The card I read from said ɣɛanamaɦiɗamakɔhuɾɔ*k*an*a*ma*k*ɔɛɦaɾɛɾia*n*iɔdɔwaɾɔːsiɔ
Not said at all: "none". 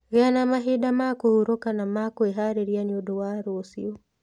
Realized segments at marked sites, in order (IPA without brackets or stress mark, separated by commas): k, a, k, n